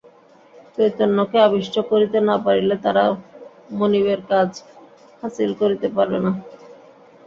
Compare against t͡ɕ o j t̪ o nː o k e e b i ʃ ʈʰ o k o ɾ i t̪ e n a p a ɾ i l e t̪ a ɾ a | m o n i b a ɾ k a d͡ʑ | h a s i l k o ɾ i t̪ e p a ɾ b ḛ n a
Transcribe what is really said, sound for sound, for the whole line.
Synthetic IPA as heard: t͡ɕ o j t̪ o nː o k e a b i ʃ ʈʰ o k o ɾ i t̪ e n a p a ɾ i l e t̪ a ɾ a | m o n i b e ɾ k a d͡ʑ | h a s i l k o ɾ i t̪ e p a ɾ b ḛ n a

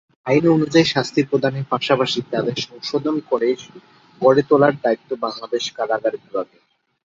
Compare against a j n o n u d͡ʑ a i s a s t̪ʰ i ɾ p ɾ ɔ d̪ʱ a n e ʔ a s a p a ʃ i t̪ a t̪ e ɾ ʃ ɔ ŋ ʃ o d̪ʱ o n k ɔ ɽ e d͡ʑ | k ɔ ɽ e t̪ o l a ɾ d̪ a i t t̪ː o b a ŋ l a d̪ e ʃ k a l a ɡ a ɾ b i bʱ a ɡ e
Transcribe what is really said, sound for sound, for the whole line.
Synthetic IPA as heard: a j n o n u d͡ʑ a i ʃ a s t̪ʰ i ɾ p ɾ o d̪ʱ a n e p a ʃ a p a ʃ i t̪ a d̪ e ɾ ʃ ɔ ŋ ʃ o d̪ʱ o n k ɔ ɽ e d͡ʑ | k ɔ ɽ e t̪ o l a ɾ d̪ a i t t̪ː o b a ŋ l a d̪ e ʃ k a l a ɡ a ɾ b i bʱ a ɡ e

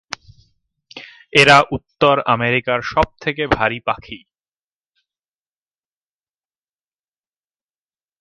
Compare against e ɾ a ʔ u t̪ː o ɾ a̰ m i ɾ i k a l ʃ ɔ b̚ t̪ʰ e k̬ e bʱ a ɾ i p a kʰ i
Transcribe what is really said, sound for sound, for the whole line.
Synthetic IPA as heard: e ɾ a ʔ u t̪ː o ɾ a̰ m e ɾ i k a ɾ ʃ ɔ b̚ t̪ʰ e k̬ e bʱ a ɾ i p a kʰ i

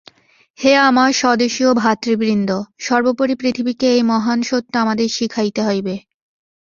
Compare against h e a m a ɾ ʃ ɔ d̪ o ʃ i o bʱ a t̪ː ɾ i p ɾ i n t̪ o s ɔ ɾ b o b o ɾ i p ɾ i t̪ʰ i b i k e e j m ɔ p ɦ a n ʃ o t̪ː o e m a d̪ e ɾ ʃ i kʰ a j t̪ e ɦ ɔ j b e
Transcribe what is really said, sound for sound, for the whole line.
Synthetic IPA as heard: h e a m a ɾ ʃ ɔ d̪ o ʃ i o bʱ a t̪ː ɾ i b ɾ i n d̪ o ʃ ɔ ɾ b o p o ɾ i p ɾ i t̪ʰ i b i k e e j m ɔ ɦ a n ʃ o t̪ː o a m a d̪ e ɾ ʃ i kʰ a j t̪ e ɦ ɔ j b e

